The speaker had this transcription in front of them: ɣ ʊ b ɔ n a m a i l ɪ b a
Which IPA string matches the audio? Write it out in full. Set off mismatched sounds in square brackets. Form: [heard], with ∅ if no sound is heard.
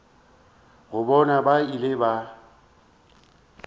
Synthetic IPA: ɣ ʊ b ɔ n a [b] a i l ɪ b a